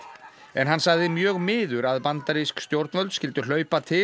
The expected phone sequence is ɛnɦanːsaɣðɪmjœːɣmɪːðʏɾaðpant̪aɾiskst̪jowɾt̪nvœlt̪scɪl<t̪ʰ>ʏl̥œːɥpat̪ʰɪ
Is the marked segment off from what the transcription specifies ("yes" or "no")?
yes